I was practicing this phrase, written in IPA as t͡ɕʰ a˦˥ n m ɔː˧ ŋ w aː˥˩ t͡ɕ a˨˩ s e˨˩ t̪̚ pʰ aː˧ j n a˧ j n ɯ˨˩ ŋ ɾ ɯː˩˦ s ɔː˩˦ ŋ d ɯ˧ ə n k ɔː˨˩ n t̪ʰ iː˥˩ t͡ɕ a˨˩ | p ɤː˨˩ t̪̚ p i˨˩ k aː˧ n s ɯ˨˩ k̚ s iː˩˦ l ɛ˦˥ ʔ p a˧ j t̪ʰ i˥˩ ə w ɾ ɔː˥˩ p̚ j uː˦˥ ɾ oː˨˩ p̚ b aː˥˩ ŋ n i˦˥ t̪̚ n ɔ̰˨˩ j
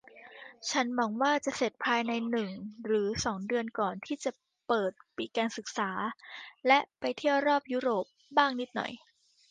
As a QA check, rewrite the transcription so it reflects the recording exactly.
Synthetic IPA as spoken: t͡ɕʰ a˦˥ n m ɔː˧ ŋ w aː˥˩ t͡ɕ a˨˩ s e˨˩ t̪̚ pʰ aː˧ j n a˧ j n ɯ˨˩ ŋ ɾ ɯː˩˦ s ɔː˩˦ ŋ d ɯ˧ ə n k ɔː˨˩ n t̪ʰ iː˥˩ t͡ɕ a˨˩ | p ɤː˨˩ t̪̚ p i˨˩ k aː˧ n s ɯ˨˩ k̚ s aː˩˦ l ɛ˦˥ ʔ p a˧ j t̪ʰ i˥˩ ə w ɾ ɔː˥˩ p̚ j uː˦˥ ɾ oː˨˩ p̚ b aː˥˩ ŋ n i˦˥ t̪̚ n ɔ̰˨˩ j